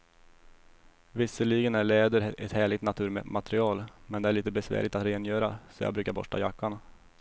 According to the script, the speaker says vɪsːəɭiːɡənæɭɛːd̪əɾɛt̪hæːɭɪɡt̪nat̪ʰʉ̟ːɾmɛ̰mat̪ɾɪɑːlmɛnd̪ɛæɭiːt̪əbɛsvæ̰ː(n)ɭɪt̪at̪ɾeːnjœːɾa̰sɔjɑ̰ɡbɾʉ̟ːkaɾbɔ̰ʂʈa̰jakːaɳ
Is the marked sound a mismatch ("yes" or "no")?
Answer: yes